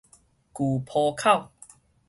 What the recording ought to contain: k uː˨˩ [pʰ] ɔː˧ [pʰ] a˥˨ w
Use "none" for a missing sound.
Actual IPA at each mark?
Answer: pʰ, kʰ

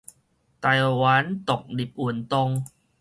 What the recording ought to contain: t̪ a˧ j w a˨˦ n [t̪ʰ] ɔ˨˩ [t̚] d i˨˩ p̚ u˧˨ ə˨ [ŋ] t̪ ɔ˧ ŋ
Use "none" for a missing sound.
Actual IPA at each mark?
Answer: t̪, k̚, n

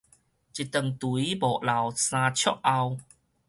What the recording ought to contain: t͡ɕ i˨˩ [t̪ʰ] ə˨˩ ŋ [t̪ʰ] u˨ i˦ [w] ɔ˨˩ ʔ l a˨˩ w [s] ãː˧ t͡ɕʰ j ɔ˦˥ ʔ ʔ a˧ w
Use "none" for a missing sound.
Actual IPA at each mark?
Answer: t̪, t̪, b, s

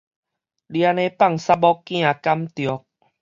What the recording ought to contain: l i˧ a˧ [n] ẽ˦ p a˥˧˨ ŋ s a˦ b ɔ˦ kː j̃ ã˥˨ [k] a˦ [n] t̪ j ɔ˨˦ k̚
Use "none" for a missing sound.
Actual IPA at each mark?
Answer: n, k, m

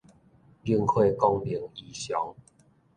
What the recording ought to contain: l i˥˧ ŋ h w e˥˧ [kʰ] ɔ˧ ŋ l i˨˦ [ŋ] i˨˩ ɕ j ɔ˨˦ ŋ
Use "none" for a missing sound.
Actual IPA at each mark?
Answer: k, ŋ

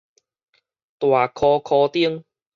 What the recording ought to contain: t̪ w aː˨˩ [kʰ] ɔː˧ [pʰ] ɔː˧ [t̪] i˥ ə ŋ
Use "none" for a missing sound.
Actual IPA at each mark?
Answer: kʰ, kʰ, t̪

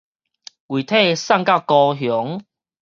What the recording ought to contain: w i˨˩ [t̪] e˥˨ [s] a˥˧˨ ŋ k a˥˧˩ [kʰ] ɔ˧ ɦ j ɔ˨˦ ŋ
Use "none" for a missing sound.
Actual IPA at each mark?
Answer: t̪ʰ, s, k

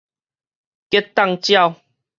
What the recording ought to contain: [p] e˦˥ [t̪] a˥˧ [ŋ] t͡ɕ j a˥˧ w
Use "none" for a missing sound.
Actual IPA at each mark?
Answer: k, t̪, ŋ

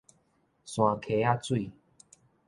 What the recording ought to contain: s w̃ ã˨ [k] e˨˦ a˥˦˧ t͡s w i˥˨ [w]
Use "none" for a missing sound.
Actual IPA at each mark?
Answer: kʰ, none

